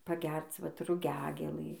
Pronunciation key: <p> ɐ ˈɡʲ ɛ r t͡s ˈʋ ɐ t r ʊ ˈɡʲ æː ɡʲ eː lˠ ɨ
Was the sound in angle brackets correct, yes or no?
yes